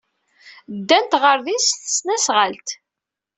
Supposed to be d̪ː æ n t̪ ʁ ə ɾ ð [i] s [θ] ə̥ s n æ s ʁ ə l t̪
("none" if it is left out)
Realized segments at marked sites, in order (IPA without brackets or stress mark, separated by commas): i, θ